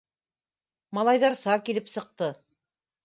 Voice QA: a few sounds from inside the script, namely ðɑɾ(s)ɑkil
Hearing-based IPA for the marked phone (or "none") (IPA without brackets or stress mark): s